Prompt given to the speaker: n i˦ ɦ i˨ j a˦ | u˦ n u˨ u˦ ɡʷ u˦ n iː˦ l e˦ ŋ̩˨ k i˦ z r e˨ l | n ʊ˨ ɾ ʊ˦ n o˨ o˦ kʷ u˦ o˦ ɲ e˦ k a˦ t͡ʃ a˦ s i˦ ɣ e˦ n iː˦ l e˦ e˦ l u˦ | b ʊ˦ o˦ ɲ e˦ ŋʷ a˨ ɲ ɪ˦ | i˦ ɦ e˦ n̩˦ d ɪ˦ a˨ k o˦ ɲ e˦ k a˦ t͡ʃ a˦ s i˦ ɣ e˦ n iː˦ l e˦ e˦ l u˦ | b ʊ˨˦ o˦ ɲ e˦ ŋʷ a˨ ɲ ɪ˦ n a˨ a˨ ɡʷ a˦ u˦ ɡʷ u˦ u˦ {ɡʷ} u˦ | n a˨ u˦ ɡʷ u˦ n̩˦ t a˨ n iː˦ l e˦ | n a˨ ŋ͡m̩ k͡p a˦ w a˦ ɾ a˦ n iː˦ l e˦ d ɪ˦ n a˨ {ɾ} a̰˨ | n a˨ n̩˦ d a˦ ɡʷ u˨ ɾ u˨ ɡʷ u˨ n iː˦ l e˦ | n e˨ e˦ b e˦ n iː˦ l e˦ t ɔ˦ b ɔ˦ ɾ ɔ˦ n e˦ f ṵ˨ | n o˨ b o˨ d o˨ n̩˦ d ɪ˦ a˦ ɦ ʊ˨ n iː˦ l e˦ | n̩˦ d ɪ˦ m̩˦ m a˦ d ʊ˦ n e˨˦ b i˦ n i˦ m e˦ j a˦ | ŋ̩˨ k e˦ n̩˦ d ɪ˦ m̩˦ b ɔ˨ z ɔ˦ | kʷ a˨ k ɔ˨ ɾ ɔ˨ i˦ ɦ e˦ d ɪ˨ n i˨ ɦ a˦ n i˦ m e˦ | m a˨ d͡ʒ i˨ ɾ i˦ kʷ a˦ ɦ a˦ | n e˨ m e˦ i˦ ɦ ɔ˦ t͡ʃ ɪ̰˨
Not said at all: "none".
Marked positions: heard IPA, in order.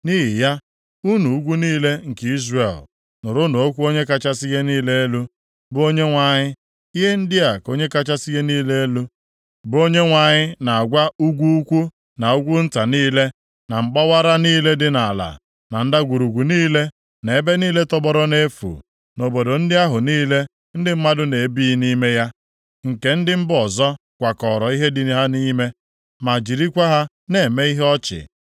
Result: kʷ, l

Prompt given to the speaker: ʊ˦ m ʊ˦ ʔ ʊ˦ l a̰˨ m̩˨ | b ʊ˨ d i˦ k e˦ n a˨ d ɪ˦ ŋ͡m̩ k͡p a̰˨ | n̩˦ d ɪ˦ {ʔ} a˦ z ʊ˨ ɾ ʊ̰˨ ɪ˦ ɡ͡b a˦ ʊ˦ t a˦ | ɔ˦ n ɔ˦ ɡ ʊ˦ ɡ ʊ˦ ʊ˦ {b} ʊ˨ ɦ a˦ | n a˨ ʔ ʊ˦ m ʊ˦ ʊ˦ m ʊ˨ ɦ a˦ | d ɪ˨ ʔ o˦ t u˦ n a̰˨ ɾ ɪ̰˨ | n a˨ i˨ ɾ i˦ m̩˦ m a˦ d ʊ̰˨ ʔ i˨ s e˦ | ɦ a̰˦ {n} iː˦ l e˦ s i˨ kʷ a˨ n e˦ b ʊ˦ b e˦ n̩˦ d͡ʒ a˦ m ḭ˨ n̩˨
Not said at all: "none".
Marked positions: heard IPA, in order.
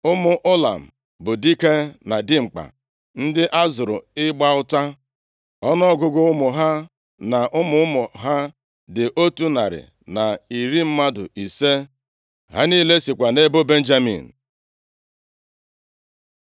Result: ʔ, m, n

